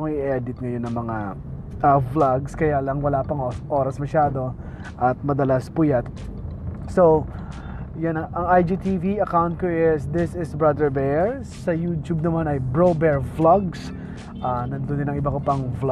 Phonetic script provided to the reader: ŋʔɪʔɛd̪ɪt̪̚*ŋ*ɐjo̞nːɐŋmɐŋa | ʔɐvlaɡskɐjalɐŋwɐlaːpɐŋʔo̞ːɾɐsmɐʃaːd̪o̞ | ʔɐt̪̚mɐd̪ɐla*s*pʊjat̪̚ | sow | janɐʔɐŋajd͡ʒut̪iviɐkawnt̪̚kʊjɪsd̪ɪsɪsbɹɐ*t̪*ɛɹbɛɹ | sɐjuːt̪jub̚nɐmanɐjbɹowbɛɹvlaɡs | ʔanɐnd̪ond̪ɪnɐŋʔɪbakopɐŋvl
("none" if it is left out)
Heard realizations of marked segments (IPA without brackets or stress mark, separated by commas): ŋ, s, d̪